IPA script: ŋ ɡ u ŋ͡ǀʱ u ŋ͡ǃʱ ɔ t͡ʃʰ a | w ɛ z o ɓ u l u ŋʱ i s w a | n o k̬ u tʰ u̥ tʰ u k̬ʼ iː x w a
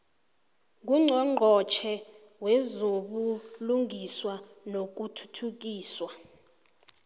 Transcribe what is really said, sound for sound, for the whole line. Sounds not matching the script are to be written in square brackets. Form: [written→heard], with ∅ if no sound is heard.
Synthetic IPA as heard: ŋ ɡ u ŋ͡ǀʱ [u→ɔ] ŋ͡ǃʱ ɔ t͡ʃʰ [a→ɛ] | w ɛ z o ɓ u l u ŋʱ i s w a | n o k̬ u tʰ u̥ tʰ u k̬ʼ iː [x→s] w a